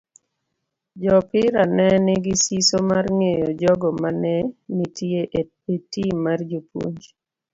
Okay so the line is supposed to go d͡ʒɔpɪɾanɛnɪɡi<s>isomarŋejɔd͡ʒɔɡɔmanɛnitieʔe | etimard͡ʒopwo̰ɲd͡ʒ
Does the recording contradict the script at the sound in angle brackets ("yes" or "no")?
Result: no